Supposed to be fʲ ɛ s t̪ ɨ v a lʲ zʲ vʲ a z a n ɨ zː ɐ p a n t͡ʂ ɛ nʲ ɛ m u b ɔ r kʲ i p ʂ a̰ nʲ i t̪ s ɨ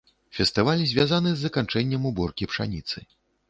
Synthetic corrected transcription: fʲ ɛ s t̪ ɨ v a lʲ zʲ vʲ a z a n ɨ zː ɐ k a n t͡ʂ ɛ nʲː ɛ m u b ɔ r kʲ i p ʂ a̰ nʲ i t̪ s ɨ